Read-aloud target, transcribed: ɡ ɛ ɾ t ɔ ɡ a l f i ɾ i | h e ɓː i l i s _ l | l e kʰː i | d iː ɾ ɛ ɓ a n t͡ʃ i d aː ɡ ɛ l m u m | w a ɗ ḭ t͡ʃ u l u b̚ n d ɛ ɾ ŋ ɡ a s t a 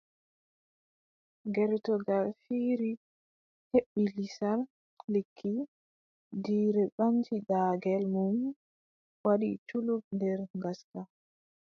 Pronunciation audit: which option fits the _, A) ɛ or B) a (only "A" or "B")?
B